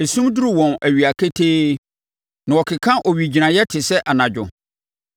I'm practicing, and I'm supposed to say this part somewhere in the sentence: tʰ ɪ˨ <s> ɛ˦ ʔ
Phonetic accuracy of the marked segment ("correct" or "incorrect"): correct